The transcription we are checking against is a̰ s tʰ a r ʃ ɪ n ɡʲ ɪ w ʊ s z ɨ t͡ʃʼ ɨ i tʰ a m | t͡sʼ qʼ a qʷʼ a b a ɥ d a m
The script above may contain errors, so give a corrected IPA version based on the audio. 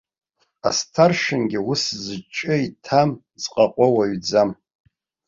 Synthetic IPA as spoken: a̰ s tʰ a r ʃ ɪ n ɡʲ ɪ w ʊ s z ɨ t͡ʃʼ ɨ i tʰ a m | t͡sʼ qʼ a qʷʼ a w a ɥ d͡z a m